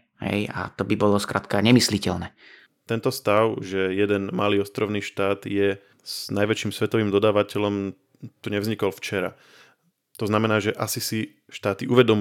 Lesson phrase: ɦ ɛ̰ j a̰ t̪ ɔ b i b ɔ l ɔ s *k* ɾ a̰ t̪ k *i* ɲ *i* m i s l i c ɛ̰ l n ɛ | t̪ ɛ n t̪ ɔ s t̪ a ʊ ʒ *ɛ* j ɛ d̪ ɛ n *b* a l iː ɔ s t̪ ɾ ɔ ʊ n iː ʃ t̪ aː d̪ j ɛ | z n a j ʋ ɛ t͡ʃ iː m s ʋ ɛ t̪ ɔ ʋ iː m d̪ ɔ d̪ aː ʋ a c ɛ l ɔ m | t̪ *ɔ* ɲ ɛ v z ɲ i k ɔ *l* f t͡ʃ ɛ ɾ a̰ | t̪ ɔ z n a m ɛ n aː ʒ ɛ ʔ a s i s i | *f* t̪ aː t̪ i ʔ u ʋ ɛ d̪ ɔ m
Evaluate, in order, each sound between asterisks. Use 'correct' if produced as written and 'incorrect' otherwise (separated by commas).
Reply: correct, incorrect, incorrect, correct, incorrect, incorrect, correct, incorrect